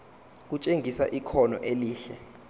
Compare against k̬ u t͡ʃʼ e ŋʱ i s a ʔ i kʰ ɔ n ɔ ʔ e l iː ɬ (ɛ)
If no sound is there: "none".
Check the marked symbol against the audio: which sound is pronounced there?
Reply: ɛ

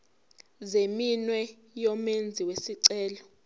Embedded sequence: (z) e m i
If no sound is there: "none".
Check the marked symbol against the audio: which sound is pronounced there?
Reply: z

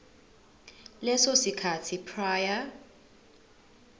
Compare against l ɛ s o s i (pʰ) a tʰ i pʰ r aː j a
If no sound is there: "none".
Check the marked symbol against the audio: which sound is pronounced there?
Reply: kʰ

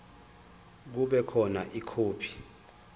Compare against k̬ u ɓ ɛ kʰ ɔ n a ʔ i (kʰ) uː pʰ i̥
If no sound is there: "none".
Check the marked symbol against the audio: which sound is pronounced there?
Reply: kʰ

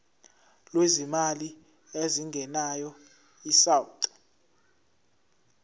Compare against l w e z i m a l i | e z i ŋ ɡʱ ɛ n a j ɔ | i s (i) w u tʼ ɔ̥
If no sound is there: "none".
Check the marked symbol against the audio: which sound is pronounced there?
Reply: a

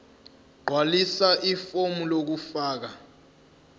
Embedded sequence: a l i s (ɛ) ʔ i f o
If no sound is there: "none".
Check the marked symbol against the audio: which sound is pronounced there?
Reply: a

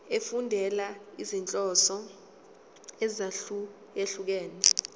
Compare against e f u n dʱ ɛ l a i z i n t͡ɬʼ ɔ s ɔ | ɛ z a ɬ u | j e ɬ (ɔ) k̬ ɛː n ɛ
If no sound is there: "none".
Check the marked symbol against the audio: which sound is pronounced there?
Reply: u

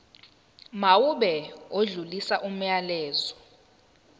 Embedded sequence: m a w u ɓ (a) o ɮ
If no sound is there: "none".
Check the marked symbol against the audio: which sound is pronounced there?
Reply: ɛ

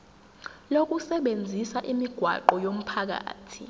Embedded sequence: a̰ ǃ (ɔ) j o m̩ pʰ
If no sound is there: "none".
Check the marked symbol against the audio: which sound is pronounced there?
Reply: ɔ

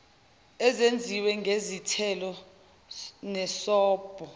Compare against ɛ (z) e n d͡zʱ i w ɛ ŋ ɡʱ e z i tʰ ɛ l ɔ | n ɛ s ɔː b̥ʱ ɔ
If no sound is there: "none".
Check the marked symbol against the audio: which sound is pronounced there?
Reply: z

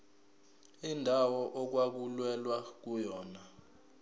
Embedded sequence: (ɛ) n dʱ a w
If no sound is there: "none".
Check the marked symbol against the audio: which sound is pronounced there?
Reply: i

